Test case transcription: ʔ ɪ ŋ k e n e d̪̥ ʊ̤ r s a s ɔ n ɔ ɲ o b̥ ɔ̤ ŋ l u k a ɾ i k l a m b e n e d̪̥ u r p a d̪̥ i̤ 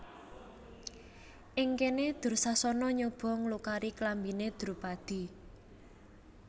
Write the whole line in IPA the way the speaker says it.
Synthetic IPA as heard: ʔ ɪ ŋ k e n e d̪̥ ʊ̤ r s a s ɔ n ɔ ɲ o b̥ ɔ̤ ŋ l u k a ɾ i k l a m b i n e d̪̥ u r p a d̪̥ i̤